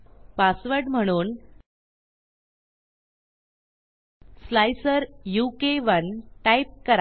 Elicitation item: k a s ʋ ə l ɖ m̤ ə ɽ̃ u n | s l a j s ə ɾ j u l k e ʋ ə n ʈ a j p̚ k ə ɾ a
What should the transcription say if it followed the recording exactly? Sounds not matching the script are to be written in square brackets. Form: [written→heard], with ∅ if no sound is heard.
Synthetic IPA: [k→p] a s ʋ ə [l→ɾ] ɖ m̤ ə ɽ̃ [u→uː] n | s l a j s ə ɾ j u [l→∅] k e ʋ ə n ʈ a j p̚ k ə ɾ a

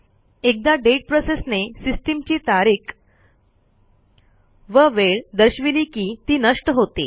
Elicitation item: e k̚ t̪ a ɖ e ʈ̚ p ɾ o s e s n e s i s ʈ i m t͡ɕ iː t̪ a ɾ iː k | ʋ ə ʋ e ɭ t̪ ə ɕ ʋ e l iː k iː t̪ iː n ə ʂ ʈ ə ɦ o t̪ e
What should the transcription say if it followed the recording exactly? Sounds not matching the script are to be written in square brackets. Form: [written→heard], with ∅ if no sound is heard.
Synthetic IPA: e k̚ [t̪→d̪] a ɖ e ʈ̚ p ɾ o s e s n e s i s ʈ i m t͡ɕ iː t̪ a ɾ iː k | ʋ ə ʋ e ɭ [t̪→d̪] ə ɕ ʋ [e→i] l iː k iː t̪ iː n ə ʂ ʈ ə ɦ o t̪ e

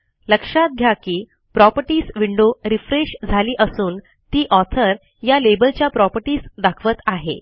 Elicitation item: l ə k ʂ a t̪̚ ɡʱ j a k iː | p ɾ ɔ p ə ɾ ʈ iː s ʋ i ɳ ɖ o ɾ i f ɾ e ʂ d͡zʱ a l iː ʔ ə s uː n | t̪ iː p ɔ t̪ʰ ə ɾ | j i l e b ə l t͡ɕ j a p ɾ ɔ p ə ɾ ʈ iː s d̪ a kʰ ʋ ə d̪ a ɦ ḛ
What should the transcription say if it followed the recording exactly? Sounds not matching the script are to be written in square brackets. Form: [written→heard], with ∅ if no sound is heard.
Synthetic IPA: l ə k ʂ a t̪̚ ɡʱ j a k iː | p ɾ ɔ p ə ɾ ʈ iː s ʋ i ɳ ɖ o ɾ i f ɾ e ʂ d͡zʱ a l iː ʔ ə s uː n | t̪ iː [p→ʔ] ɔ t̪ʰ ə ɾ | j [i→a] l e b ə l t͡ɕ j a p ɾ ɔ p ə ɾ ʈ iː s d̪ a kʰ ʋ ə [d̪→t̪] a ɦ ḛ

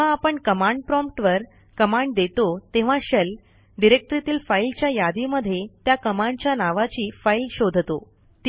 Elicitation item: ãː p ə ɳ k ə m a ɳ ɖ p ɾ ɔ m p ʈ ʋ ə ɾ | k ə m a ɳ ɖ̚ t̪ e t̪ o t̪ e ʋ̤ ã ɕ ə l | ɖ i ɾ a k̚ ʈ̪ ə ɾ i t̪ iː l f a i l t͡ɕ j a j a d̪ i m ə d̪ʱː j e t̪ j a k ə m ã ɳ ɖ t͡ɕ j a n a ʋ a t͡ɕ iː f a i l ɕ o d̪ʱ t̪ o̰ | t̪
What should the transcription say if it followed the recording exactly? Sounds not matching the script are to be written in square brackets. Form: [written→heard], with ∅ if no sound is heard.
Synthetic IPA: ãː p ə ɳ k ə m a ɳ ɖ p ɾ ɔ m p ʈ ʋ ə ɾ | k ə m a ɳ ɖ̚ [t̪→d̪] e t̪ o t̪ e ʋ̤ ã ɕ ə l | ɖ i ɾ [a→e] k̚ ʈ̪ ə ɾ i t̪ iː l f a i l t͡ɕ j a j a d̪ i m ə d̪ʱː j e t̪ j a k ə m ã ɳ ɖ t͡ɕ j a n a ʋ a t͡ɕ iː f a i l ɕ o d̪ʱ t̪ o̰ | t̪

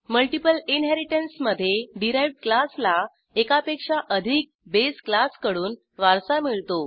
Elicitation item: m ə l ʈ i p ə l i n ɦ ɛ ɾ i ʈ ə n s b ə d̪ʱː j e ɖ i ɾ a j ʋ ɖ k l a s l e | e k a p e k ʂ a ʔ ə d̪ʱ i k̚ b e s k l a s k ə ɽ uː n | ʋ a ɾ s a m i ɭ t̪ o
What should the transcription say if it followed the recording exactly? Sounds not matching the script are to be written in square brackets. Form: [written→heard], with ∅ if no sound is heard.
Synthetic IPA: m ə l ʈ i p ə l i n ɦ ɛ ɾ i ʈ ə n s [b→m] ə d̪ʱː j e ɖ i ɾ a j ʋ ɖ k l a s l [e→a] | e k a p e k ʂ a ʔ ə d̪ʱ i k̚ b e s k l a s k ə ɽ uː n | ʋ a ɾ s a m i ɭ t̪ o

